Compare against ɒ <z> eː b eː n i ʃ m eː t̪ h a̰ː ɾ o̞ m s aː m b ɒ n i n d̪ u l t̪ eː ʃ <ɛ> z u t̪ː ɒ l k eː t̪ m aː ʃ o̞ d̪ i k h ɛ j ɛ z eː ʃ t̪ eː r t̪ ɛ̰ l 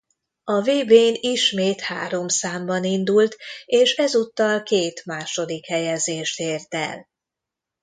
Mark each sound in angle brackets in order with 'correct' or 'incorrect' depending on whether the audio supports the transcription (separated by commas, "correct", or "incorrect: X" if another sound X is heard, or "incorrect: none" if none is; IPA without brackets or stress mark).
incorrect: v, correct